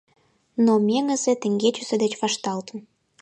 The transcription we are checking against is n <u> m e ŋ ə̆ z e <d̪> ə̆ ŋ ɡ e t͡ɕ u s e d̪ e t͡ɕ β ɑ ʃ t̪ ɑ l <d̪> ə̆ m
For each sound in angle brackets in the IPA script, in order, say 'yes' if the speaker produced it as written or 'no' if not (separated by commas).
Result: no, no, no